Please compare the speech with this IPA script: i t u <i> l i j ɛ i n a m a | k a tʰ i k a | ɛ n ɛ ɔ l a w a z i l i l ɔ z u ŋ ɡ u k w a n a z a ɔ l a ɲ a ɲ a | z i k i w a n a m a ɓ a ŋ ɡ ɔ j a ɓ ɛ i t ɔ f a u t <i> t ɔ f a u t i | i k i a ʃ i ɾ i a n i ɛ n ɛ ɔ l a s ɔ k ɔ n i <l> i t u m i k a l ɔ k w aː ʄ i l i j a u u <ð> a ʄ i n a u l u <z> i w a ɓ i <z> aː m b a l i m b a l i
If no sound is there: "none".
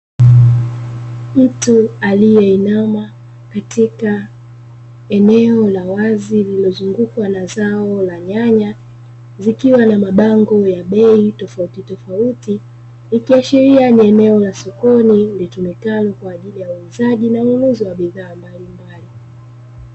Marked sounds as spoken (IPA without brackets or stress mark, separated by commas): a, i, l, z, z, ð